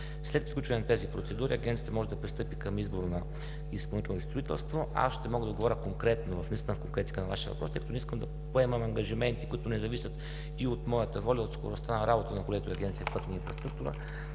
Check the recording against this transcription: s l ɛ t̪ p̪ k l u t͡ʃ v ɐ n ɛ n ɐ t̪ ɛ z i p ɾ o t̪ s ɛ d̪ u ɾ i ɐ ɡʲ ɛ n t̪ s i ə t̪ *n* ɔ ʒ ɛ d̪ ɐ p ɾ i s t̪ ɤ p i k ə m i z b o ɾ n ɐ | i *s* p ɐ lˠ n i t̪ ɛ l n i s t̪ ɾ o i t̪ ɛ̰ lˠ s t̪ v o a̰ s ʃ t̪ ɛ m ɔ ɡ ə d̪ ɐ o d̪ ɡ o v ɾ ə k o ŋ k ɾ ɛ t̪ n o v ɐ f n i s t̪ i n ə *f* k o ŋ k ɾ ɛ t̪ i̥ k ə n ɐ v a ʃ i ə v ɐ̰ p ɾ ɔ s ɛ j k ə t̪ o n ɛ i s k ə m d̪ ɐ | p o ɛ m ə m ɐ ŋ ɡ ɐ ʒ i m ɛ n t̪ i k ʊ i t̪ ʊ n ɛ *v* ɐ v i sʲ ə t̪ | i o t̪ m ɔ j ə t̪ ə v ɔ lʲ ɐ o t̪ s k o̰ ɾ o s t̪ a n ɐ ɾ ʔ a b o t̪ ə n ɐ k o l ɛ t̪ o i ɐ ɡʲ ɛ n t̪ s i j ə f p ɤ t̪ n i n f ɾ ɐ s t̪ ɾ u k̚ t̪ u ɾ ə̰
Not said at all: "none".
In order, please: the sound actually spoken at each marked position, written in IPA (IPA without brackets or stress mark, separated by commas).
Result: m, s, f, z